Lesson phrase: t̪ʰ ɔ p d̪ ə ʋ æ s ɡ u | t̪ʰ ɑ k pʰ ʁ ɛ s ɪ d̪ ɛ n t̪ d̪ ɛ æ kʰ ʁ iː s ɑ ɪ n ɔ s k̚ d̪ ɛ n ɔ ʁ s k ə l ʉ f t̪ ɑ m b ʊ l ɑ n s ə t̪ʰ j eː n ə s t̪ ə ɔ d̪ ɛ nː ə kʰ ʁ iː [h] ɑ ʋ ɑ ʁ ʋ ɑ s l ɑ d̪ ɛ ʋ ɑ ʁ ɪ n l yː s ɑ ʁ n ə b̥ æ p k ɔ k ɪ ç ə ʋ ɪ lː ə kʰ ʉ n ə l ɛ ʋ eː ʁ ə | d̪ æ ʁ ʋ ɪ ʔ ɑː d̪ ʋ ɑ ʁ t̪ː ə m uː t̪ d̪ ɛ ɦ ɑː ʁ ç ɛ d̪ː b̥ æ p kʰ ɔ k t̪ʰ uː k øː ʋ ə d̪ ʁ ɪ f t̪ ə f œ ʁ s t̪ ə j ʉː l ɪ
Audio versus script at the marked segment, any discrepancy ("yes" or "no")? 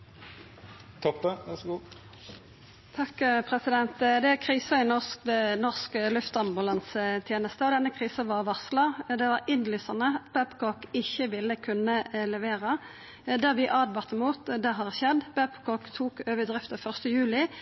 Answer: yes